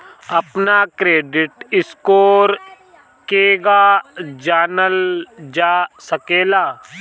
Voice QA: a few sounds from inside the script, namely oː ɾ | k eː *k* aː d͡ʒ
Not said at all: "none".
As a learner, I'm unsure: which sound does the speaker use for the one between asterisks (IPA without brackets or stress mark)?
ɡ